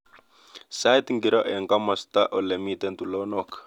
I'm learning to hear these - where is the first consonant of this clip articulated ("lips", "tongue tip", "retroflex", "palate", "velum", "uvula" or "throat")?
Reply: tongue tip